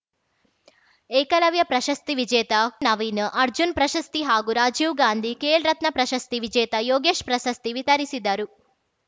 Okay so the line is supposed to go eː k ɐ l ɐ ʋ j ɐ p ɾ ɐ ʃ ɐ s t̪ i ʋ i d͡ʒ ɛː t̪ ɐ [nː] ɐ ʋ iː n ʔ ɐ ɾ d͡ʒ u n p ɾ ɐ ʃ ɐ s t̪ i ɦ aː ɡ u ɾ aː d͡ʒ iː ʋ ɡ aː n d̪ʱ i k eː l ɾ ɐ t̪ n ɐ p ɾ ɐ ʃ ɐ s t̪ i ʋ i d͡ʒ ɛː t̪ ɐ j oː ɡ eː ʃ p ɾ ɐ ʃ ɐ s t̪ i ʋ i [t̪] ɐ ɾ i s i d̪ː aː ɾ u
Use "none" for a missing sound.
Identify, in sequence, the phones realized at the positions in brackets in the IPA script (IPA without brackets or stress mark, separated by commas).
n, t̪